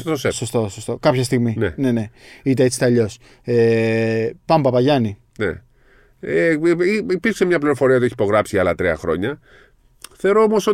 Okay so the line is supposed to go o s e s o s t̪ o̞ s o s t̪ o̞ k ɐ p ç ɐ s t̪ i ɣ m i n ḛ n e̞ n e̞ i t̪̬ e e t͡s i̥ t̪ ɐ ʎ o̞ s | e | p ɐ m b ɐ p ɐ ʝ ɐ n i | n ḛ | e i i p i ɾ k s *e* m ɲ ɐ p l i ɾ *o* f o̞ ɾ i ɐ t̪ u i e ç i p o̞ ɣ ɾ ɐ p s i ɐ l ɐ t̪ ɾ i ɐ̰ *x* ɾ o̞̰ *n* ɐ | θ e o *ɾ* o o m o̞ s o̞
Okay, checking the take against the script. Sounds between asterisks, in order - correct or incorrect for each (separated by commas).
correct, correct, correct, incorrect, correct